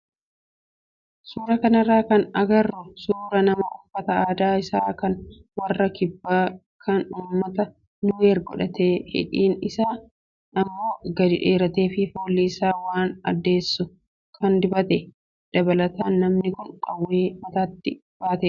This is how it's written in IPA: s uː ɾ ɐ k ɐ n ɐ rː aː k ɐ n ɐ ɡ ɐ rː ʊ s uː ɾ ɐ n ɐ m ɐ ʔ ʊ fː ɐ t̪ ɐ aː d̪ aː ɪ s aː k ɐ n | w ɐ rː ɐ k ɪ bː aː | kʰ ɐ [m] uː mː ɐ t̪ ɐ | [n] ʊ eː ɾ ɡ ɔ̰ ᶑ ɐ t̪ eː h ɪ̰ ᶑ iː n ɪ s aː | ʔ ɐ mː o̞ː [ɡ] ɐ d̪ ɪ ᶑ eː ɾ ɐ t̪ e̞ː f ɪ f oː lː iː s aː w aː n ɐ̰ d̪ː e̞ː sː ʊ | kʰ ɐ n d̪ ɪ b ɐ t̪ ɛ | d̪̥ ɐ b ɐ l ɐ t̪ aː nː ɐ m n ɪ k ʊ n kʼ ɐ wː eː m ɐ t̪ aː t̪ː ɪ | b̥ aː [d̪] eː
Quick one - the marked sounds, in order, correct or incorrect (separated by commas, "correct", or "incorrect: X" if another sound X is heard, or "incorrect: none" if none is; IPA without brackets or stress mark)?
incorrect: n, correct, correct, incorrect: t̪